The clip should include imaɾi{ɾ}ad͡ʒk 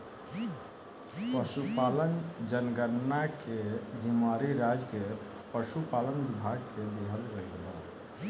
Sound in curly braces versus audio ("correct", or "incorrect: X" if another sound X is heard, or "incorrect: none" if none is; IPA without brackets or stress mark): correct